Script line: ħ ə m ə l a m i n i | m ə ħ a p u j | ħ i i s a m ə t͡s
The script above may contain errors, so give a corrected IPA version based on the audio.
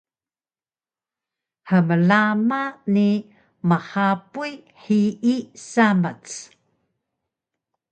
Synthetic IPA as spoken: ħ ə m ə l a m a n i | m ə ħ a p u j | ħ i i s a m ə t͡s